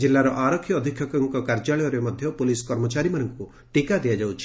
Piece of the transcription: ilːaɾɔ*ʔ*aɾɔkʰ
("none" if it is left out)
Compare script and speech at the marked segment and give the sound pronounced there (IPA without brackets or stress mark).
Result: ʔ